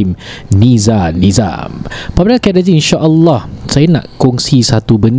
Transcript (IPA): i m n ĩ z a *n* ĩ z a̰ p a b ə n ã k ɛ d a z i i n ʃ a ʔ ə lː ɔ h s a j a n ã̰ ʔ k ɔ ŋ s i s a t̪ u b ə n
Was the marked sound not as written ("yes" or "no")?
no